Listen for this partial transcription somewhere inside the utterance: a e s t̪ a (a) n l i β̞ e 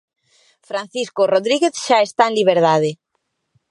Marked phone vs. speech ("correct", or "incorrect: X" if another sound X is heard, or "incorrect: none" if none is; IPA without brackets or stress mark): incorrect: e